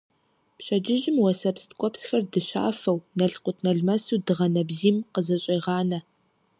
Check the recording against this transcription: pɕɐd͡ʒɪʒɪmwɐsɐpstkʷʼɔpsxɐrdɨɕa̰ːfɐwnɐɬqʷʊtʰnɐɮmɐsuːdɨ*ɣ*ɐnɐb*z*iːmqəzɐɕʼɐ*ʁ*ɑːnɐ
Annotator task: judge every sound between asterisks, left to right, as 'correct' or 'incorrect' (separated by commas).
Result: incorrect, correct, correct